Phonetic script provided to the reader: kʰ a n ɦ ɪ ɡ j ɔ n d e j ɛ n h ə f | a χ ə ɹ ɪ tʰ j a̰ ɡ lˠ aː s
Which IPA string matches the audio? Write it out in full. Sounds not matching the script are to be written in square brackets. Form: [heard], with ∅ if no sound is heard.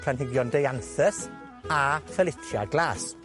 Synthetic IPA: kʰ a n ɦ ɪ ɡ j ɔ n d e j [a] n [θ] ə [s] | a [f] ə [l] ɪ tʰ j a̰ ɡ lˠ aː s